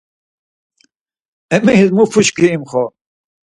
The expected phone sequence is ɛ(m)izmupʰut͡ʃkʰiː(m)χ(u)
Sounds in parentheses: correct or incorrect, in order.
correct, correct, incorrect: ɔ

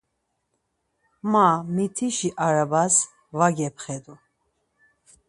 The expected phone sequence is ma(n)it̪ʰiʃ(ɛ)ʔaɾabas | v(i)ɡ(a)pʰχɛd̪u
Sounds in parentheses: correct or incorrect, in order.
incorrect: m, incorrect: i, incorrect: a, incorrect: ɛ

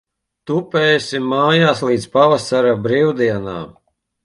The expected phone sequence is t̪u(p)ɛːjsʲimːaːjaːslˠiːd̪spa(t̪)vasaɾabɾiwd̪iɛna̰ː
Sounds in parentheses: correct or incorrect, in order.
correct, incorrect: none

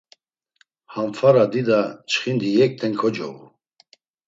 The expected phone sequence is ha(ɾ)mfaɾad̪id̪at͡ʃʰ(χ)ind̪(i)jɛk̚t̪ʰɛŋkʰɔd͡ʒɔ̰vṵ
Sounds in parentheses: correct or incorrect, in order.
incorrect: none, correct, correct

